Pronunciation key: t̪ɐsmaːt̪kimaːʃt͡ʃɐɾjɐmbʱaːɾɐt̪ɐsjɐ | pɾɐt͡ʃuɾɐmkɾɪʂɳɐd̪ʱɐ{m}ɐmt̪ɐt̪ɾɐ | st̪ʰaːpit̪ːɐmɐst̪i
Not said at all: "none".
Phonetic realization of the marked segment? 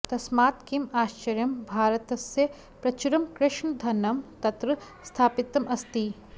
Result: n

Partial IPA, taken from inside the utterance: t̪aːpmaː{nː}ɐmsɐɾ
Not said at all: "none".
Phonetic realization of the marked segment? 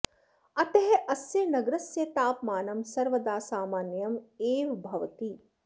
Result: n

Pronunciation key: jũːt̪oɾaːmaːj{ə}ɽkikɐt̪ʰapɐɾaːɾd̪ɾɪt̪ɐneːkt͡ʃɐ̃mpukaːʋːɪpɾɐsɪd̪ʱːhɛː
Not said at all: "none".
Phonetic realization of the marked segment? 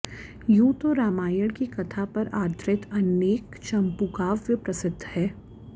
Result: ə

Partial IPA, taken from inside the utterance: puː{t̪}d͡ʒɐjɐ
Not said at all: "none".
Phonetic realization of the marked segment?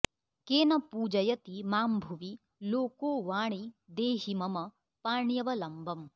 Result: none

